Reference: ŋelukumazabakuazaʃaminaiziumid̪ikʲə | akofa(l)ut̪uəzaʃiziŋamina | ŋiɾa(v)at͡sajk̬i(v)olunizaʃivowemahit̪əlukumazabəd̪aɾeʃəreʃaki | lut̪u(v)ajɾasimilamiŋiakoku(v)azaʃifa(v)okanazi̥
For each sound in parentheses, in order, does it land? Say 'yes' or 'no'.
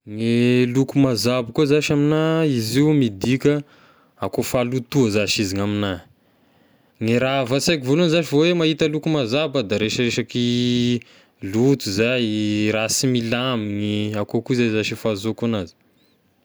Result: yes, yes, yes, no, no, no

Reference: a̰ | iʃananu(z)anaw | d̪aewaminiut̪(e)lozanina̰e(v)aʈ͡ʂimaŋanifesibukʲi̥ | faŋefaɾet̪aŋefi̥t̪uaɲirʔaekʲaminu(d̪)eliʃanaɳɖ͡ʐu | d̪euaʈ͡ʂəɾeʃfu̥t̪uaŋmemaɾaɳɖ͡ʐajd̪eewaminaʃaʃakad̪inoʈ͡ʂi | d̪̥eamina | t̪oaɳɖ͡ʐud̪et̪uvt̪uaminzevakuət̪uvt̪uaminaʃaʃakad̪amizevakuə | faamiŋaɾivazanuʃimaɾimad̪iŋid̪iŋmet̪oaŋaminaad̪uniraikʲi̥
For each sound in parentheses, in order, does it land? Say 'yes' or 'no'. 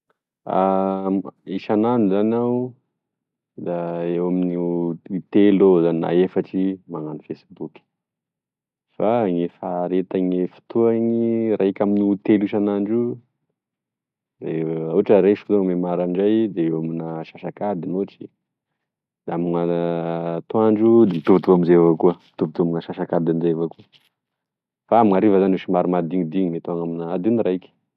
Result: yes, yes, no, no

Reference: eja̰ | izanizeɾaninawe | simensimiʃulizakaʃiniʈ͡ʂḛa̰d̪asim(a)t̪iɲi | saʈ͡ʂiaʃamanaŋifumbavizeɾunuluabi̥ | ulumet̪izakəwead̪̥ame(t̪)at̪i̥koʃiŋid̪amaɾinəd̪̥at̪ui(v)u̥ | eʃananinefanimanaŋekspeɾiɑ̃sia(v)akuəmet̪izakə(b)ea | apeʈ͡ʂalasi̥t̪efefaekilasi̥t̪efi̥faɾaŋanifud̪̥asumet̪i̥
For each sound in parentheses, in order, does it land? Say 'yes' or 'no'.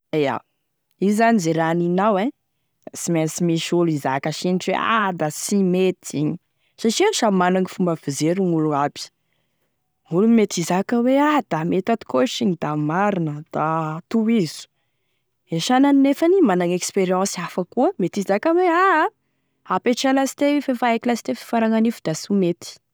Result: no, yes, no, no, no

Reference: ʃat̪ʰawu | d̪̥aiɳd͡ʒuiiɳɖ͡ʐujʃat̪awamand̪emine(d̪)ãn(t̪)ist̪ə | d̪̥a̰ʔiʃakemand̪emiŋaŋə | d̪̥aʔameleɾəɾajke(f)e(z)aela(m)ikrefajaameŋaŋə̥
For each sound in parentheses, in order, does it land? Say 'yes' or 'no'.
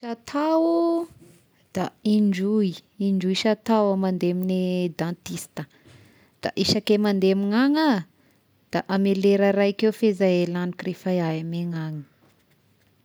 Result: yes, yes, yes, yes, no

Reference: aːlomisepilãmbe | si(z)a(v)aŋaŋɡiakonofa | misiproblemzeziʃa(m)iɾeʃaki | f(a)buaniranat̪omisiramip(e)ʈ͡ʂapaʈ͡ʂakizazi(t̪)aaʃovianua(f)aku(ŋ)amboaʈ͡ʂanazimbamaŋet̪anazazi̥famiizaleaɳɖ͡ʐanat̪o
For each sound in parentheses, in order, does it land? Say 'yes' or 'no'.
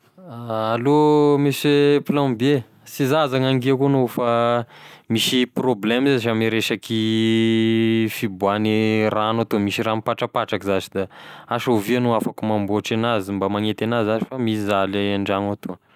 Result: yes, no, yes, no, no, no, yes, no

